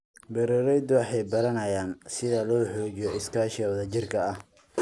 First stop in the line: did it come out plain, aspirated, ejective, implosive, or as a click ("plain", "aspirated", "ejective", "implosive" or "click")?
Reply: plain